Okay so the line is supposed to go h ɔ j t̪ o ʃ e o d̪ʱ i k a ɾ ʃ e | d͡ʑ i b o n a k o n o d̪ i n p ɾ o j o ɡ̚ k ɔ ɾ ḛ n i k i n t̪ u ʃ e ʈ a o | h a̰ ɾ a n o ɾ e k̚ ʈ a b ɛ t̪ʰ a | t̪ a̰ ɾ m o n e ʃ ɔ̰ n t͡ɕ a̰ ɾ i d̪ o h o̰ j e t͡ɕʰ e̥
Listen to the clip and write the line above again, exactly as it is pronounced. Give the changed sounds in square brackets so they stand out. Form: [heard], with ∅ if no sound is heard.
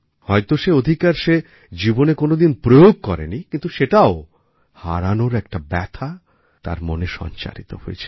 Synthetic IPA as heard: h ɔ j t̪ o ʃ e o d̪ʱ i k a ɾ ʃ e | d͡ʑ i b o n [e] k o n o d̪ i n p ɾ o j o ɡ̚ k ɔ ɾ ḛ n i k i n t̪ u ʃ e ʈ a o | h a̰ ɾ a n o ɾ [ɛ] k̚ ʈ a b ɛ t̪ʰ a | t̪ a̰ ɾ m o n e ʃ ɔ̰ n t͡ɕ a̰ ɾ i [t̪] o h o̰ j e t͡ɕʰ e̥

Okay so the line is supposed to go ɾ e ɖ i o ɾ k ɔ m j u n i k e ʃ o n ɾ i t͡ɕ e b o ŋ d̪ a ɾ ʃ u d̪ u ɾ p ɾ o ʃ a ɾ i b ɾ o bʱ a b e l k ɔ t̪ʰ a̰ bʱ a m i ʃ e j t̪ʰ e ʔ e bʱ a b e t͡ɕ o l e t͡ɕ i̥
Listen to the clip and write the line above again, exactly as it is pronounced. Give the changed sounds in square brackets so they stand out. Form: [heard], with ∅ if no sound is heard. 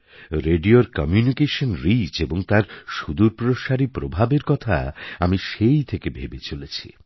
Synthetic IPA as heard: ɾ e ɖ i o ɾ k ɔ m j u n i k e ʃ o n ɾ i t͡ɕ e b o ŋ [t̪] a ɾ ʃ u d̪ u ɾ p ɾ o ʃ a ɾ i [p] ɾ o bʱ a b e [ɾ] k ɔ t̪ʰ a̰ [∅] a m i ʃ e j t̪ʰ e [k] e bʱ [e] b e t͡ɕ o l e [t͡ɕʰ] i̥

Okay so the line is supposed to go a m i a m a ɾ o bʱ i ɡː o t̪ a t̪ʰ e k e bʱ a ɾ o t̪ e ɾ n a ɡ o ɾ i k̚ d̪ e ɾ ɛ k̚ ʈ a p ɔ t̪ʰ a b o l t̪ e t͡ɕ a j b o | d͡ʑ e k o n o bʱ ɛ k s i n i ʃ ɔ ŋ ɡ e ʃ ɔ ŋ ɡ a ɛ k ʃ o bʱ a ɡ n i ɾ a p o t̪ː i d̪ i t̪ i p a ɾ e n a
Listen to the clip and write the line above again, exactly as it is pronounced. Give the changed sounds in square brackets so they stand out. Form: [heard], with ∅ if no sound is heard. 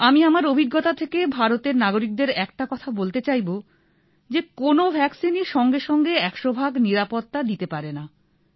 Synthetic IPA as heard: a m i a m a ɾ o bʱ i ɡː o t̪ a t̪ʰ e k e bʱ a ɾ o t̪ e ɾ n a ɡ o ɾ i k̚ d̪ e ɾ ɛ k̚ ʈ a [k] ɔ t̪ʰ a b o l t̪ e t͡ɕ a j b o | d͡ʑ e k o n o bʱ ɛ k s i n i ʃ ɔ ŋ ɡ e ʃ ɔ ŋ ɡ [e] ɛ k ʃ o bʱ a ɡ n i ɾ a p o t̪ː [a] d̪ i t̪ [e] p a ɾ e n a

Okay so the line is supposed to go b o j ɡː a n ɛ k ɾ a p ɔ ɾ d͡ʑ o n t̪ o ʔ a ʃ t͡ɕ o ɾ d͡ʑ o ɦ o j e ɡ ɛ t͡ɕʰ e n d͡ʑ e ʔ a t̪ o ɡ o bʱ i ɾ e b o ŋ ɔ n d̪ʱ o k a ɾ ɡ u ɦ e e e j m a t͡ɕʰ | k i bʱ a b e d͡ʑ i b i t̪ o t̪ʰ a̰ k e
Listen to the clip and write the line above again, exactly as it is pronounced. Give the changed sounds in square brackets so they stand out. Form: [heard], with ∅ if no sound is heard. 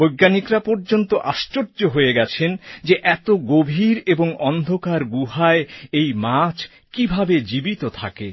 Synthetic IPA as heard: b o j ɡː a n [i] k ɾ a p ɔ ɾ d͡ʑ o n t̪ o ʔ a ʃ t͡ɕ o ɾ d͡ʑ o ɦ o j e ɡ ɛ t͡ɕʰ e n d͡ʑ e ʔ [ɛ] t̪ o ɡ o bʱ i ɾ e b o ŋ ɔ n d̪ʱ o k a ɾ ɡ u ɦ [a] e e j m a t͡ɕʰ | k i bʱ a b e d͡ʑ i b i t̪ o t̪ʰ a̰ k e

